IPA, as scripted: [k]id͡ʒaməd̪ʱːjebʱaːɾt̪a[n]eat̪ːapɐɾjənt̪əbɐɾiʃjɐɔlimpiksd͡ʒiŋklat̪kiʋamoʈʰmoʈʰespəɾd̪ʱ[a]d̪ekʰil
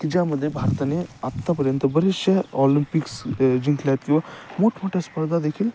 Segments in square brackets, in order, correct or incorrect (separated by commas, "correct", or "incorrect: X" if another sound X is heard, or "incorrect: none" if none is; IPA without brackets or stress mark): correct, correct, correct